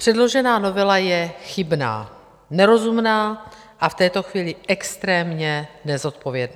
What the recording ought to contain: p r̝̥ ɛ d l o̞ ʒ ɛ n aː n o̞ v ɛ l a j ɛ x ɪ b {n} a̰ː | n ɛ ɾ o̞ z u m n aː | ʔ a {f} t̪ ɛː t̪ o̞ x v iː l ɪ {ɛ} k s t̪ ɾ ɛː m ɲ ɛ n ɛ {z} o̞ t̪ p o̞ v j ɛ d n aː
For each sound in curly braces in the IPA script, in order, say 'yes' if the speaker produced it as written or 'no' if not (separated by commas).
yes, yes, yes, yes